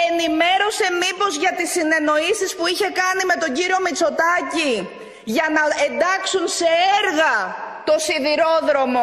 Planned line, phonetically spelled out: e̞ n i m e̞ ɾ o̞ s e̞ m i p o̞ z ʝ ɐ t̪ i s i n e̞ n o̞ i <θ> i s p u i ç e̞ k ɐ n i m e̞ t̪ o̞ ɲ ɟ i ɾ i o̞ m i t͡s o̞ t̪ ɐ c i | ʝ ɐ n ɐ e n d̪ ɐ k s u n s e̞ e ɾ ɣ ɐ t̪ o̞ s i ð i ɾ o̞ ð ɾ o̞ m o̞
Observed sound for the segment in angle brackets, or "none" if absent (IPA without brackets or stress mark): s